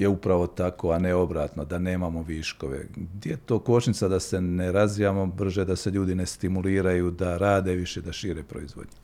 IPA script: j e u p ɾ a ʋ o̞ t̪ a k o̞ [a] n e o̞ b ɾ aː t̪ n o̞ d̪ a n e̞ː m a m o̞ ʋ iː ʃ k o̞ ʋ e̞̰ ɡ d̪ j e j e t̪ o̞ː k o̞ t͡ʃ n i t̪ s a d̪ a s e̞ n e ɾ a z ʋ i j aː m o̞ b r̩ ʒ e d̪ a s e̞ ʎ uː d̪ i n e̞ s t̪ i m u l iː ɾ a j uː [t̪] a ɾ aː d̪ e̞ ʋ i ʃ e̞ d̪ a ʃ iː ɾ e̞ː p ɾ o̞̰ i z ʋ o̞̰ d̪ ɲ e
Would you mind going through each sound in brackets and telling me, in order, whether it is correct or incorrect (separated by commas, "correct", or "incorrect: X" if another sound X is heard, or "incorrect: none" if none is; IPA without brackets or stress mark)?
correct, incorrect: d̪